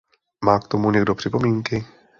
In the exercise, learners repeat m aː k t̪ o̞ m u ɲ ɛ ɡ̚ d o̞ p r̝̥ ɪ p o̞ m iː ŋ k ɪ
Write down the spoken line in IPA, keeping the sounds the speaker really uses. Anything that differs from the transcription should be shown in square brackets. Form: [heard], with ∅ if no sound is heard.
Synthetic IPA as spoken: m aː k t̪ o̞ m u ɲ ɛ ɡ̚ d o̞ p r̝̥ ɪ p o̞ m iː ŋ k ɪ